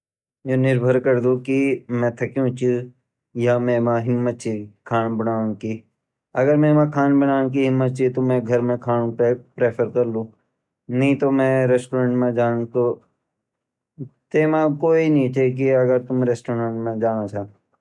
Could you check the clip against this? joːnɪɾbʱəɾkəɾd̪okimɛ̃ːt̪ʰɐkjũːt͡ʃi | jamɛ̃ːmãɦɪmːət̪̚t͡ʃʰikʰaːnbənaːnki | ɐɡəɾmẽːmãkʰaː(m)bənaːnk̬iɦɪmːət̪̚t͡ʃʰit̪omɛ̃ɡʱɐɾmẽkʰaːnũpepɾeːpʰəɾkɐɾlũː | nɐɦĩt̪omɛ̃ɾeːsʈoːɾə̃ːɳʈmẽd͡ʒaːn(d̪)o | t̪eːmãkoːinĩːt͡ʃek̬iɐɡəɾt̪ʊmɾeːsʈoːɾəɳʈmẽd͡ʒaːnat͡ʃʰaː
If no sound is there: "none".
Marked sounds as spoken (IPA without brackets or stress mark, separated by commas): n, t̪